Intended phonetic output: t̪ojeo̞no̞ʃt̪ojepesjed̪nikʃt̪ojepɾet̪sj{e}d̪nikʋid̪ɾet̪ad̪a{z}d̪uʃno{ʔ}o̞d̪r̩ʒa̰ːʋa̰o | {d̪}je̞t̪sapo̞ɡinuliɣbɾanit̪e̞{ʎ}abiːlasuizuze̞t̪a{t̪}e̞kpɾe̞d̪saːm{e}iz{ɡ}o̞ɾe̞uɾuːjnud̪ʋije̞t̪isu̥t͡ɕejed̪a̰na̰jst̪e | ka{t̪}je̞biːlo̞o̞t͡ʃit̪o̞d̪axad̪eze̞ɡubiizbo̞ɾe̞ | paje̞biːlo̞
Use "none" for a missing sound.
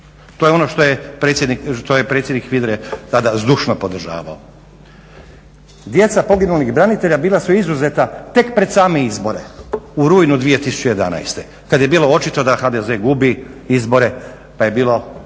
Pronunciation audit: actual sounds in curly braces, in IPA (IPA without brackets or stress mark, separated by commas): e, z, p, d̪, ʎ, t̪, e, b, d̪